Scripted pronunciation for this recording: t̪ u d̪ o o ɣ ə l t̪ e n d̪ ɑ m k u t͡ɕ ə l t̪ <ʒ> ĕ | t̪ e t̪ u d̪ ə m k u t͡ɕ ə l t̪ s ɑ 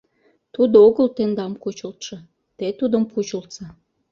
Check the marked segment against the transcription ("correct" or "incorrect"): incorrect